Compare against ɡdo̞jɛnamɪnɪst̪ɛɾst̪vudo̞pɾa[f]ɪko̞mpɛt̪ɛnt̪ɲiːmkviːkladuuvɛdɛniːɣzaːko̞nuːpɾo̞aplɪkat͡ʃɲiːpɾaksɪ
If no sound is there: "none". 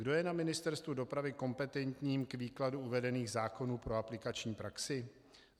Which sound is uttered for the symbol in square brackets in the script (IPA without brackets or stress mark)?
v